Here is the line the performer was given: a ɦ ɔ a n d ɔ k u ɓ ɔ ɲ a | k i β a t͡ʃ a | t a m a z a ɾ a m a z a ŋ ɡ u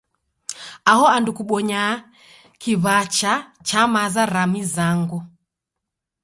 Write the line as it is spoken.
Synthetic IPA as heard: a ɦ ɔ a n d u k u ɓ ɔ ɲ a | k i β a t͡ʃ a | t͡ʃ a m a z a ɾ a m i z a ŋ ɡ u